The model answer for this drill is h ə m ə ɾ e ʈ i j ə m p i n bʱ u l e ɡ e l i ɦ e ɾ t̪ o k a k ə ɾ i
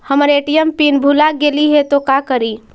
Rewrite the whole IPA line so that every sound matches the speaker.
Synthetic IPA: h ə m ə ɾ e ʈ i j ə m p i n bʱ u l a ɡ e l i ɦ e t̪ o k a k ə ɾ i